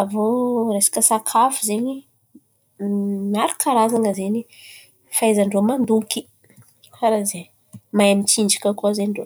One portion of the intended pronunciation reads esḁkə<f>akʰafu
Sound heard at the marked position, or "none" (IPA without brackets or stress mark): s